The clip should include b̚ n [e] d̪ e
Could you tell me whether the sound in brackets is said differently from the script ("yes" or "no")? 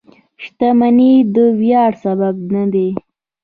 yes